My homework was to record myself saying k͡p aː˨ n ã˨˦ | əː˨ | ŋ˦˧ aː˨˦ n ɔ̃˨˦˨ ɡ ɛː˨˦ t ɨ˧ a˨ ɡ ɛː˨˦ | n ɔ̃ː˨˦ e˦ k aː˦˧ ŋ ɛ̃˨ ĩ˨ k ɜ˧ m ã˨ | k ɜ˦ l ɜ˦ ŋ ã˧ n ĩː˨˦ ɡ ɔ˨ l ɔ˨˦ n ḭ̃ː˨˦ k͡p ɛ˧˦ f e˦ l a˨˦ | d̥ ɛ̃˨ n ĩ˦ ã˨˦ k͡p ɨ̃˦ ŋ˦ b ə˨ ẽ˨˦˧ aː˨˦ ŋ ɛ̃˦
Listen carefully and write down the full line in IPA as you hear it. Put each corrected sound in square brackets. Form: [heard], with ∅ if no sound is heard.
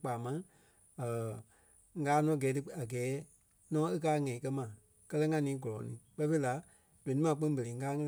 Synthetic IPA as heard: k͡p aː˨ [m] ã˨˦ | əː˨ | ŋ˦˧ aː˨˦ n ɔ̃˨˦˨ ɡ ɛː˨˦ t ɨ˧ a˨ ɡ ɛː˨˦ | n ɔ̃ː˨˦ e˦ k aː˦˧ ŋ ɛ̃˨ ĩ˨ k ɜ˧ m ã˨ | k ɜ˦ l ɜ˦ ŋ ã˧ n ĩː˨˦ ɡ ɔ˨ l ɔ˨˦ n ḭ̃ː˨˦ k͡p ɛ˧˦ f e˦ l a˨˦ | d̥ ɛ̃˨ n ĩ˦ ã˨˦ k͡p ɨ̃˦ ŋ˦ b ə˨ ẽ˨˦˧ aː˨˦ ŋ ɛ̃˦